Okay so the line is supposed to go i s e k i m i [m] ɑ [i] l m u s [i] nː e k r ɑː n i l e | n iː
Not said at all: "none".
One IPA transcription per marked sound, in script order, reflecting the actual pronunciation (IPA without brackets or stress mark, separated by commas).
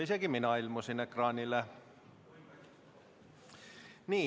n, i, i